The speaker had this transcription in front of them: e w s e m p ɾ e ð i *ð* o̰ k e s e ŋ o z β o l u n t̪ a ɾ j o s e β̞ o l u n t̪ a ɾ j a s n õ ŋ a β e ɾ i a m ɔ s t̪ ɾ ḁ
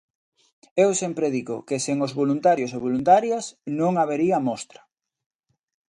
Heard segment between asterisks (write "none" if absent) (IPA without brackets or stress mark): ɣ